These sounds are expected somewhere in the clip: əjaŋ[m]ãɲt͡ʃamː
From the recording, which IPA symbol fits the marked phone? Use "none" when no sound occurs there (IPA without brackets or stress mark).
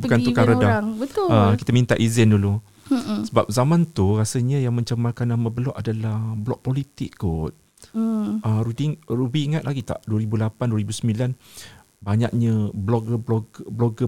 m